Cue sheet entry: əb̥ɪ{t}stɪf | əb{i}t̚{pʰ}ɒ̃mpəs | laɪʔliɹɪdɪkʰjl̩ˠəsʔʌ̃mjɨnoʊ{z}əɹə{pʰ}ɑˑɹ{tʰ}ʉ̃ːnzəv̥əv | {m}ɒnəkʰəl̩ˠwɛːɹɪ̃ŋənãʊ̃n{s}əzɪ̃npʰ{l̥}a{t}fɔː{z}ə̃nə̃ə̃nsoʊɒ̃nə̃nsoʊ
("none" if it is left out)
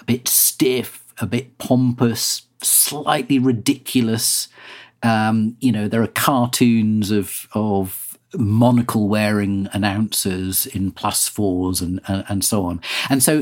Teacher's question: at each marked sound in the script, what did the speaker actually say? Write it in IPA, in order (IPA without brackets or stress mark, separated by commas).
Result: t, ɪ, pʰ, ð, kʰ, tʰ, m, s, l̥, s, z